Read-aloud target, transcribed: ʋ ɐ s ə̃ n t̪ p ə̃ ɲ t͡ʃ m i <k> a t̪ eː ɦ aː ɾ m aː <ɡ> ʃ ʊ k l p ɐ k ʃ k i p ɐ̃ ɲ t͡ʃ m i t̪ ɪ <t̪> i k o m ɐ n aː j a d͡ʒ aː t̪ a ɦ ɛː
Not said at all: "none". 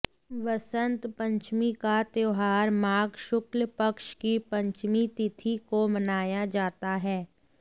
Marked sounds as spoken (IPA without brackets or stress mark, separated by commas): k, ɡ, t̪ʰ